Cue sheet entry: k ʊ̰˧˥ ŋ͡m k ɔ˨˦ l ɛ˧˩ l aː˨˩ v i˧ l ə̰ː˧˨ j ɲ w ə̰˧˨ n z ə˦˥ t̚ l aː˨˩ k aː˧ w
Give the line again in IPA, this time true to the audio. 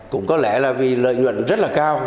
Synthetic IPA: k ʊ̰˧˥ ŋ͡m k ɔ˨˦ l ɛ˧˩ l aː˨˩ v i˨˩ l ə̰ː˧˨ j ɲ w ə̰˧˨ n z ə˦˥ t̚ l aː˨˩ k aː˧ w